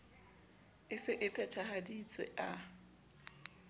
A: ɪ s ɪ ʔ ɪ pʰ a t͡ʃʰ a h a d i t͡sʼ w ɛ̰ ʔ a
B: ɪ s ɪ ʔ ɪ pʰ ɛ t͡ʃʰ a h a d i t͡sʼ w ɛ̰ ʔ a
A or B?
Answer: B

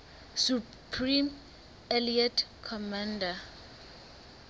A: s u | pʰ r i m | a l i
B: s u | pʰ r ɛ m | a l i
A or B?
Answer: A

